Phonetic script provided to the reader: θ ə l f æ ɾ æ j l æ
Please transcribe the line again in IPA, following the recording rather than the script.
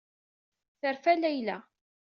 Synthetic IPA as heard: θ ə ɾ f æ l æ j l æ